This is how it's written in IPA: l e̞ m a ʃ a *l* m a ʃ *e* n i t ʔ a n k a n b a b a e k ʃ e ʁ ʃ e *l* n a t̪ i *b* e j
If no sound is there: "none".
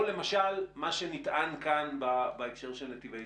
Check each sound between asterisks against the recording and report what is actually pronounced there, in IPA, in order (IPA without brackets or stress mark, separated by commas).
l, e, l, v